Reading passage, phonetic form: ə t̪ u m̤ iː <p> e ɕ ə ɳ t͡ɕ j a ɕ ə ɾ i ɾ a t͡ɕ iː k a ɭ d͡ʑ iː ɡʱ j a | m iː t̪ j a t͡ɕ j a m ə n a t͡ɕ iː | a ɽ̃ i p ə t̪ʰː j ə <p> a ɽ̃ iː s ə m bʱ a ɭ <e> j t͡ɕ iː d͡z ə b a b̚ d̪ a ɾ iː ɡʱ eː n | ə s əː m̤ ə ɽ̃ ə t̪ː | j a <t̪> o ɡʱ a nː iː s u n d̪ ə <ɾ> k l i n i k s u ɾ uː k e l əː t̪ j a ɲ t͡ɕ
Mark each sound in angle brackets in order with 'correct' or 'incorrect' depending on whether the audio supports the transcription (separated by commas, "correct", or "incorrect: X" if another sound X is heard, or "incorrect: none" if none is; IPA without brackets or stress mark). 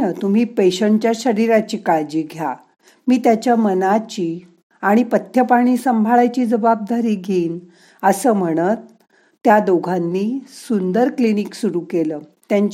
correct, correct, incorrect: a, incorrect: d̪, correct